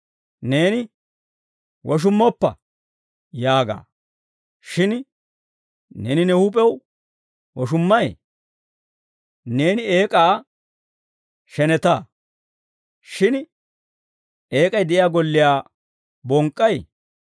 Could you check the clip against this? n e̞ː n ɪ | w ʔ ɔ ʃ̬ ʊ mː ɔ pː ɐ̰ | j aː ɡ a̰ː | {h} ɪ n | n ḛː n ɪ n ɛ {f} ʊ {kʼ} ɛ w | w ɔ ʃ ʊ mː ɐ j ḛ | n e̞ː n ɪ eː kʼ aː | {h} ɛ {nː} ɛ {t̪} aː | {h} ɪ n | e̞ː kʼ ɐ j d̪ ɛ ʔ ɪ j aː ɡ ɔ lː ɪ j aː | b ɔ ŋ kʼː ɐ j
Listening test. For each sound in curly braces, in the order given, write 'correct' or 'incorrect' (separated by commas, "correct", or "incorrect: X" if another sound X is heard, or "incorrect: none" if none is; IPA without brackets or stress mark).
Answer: incorrect: ʃ, incorrect: h, incorrect: pʼ, incorrect: ʃ, incorrect: n, correct, incorrect: ʃ